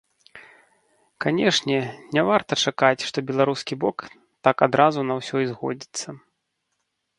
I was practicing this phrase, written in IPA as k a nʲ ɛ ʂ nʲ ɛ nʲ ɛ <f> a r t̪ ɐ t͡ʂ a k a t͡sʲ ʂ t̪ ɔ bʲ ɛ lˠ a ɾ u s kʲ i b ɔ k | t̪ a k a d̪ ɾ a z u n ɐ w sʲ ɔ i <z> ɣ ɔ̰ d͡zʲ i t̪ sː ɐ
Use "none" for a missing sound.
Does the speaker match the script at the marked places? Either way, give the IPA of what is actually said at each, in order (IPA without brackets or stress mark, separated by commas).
v, z